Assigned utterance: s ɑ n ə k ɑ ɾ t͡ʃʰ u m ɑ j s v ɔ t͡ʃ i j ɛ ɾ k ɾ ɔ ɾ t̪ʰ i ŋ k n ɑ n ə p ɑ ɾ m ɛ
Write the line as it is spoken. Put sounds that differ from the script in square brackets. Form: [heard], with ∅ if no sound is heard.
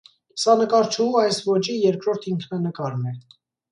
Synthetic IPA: s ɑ n ə k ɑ ɾ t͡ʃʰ u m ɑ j s v ɔ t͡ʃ i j ɛ ɾ k ɾ ɔ ɾ t̪ʰ i ŋ [kʰ] n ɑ n ə [k] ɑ ɾ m ɛ